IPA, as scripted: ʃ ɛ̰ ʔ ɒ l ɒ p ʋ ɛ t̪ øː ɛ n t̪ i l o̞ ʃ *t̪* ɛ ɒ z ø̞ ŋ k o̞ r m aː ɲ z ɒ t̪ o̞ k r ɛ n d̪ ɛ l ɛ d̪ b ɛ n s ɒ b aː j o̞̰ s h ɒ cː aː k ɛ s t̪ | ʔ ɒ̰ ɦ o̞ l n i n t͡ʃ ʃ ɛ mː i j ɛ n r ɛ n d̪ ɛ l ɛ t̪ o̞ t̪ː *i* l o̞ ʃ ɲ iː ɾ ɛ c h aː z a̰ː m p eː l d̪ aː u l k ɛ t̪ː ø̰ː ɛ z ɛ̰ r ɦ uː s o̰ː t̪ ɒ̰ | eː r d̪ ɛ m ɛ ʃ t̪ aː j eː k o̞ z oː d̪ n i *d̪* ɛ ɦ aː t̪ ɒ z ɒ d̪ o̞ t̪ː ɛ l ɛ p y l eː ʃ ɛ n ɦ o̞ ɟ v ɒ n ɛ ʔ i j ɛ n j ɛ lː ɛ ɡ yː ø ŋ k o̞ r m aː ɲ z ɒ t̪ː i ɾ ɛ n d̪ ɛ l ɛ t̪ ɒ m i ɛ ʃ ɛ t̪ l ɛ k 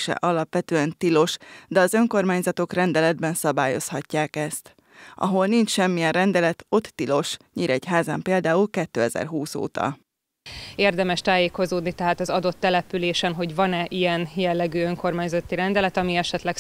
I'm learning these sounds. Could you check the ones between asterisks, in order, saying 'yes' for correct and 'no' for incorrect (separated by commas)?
no, yes, no